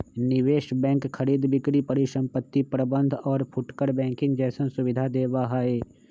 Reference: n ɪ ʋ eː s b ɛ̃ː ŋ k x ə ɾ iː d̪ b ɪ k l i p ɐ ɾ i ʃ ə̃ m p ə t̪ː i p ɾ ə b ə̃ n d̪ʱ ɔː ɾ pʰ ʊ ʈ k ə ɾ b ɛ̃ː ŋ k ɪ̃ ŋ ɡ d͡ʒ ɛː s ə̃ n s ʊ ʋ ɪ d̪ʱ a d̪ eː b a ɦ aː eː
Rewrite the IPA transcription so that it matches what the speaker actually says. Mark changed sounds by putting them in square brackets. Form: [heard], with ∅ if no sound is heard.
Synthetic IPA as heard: n ɪ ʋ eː [ʃ] b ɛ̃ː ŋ k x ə ɾ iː d̪ b ɪ k [ɾ] i p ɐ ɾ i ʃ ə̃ m p ə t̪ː i p ɾ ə b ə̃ n d̪ʱ ɔː ɾ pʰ ʊ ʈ k ə ɾ b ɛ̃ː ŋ k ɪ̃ ŋ ɡ d͡ʒ ɛː s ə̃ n s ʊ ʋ ɪ d̪ʱ a d̪ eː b a ɦ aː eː

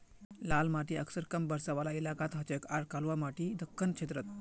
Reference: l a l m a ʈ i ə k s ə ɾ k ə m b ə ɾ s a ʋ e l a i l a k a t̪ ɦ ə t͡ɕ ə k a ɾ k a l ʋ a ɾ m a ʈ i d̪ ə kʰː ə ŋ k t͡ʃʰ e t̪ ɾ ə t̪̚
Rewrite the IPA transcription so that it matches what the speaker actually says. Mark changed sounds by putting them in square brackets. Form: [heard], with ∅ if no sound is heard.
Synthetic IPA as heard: l a l m a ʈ i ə k s ə ɾ k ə m b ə ɾ s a ʋ [a] l a i l a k a t̪ ɦ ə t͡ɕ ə k a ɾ k a l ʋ a [∅] m a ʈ i d̪ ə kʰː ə [n] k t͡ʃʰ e t̪ ɾ ə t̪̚

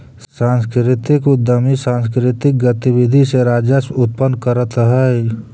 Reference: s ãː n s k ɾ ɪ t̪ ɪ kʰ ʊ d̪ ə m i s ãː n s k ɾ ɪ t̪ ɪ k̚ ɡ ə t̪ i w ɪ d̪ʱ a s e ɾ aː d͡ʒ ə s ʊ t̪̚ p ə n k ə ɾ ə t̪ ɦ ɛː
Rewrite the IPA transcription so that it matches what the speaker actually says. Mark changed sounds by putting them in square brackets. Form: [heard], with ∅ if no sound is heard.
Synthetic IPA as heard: s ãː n s k ɾ ɪ t̪ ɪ [k] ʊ d̪ ə m i s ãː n s k ɾ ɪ t̪ ɪ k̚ ɡ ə t̪ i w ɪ d̪ʱ [i] s e ɾ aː d͡ʒ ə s ʊ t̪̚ p ə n k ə ɾ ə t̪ ɦ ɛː

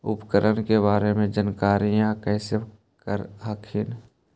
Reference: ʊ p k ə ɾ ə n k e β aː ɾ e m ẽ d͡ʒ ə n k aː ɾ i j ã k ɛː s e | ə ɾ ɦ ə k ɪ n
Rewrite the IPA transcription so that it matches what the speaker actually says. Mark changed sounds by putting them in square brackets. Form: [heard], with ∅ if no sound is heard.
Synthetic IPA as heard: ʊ p k ə ɾ ə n k e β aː ɾ e m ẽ d͡ʒ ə n k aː ɾ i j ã k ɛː s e | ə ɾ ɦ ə [kʰ] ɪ n

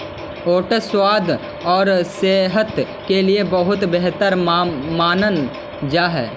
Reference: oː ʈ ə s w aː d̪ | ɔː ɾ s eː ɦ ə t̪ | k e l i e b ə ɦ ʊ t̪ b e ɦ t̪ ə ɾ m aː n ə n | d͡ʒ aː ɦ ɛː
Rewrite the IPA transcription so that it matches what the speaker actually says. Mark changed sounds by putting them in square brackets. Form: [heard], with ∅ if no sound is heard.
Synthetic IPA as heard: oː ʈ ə s w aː d̪ | ɔː ɾ s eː ɦ ə t̪ | k e l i e b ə ɦ ʊ t̪ b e ɦ t̪ ə ɾ m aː n ə n | d͡ʒ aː ɦ ɛː

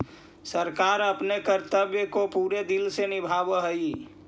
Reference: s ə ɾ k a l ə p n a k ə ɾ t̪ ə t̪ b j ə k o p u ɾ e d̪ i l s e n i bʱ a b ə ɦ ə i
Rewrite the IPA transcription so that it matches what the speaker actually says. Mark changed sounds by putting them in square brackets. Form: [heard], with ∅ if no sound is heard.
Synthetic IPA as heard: s ə ɾ k a [ɾ] ə p n [e] k ə ɾ t̪ ə [∅] b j ə k o p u ɾ e d̪ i l s e n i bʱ a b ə ɦ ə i

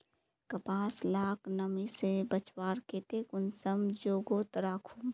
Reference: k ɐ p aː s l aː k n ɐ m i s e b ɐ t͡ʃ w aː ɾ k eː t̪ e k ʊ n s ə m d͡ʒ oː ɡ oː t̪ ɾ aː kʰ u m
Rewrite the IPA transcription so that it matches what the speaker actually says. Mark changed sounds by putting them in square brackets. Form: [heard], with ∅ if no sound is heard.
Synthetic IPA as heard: k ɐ p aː s l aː k n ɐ m i s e b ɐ t͡ʃ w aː ɾ k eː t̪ e k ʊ n s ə m d͡ʒ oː ɡ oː t̪ ɾ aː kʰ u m

